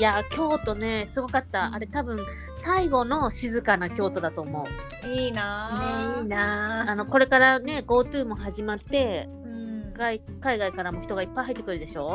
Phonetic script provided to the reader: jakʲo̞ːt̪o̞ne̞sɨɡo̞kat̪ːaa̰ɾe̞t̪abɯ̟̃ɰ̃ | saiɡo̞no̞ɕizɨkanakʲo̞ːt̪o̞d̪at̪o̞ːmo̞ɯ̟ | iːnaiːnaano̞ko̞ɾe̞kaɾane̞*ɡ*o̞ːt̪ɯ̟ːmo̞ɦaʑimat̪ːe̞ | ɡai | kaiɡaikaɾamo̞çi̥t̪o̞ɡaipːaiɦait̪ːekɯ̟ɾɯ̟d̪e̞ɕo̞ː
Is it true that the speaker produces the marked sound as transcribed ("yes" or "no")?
yes